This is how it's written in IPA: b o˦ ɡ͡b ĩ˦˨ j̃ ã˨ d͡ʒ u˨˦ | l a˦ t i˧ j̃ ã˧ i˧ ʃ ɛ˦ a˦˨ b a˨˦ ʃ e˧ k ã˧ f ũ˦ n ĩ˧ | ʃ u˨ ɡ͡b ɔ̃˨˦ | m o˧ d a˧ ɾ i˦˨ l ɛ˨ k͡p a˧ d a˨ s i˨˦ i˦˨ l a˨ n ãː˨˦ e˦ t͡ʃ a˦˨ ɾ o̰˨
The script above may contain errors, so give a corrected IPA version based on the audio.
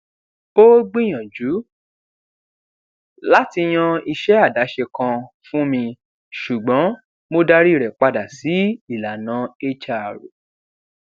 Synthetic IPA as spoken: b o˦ ɡ͡b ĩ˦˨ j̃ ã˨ d͡ʒ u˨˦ | l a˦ t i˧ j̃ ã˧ i˧ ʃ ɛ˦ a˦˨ d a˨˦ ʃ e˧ k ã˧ f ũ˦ m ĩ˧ | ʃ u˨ ɡ͡b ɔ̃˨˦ | m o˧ d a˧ ɾ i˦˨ ɾ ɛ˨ k͡p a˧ d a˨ s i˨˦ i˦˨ l a˨ n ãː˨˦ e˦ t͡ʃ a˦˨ ɾ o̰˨